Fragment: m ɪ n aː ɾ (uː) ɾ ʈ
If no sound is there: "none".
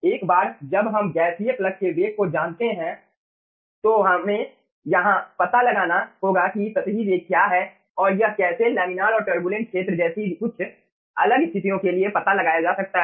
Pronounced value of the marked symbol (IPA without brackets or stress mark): ɔː